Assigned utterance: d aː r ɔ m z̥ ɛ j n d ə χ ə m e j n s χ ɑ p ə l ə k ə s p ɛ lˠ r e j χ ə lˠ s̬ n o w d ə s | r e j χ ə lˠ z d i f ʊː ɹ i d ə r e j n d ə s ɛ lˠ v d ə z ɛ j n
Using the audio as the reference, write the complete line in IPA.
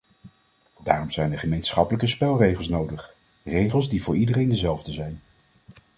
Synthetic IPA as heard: d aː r ɔ m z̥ ɛ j n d ə χ ə m e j n s χ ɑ p ə l ə k ə s p ɛ lˠ r e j χ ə lˠ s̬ n o w d ə χ | r e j χ ə lˠ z d i v ʊː ɹ i d ə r e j n d ə z ɛ lˠ v d ə z ɛ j n